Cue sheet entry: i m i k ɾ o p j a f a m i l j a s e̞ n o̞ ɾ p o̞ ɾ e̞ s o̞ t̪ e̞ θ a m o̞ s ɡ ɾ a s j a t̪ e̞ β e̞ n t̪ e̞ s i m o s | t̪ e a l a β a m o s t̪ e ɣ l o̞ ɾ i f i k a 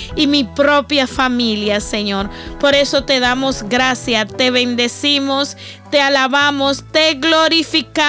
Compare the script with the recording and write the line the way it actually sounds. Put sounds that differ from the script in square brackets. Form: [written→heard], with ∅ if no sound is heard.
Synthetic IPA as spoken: i m i [k→p] ɾ o p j a f a m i l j a s e̞ [n→ɲ] o̞ ɾ p o̞ ɾ e̞ s o̞ t̪ e̞ [θ→ð] a m o̞ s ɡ ɾ a s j a t̪ e̞ β e̞ n [t̪→d̪] e̞ s i m o s | t̪ e a l a β a m o s t̪ e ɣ l o̞ ɾ i f i k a